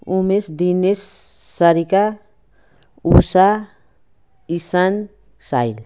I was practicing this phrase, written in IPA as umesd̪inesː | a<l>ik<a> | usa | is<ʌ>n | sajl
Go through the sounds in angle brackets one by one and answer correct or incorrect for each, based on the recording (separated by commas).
incorrect, correct, incorrect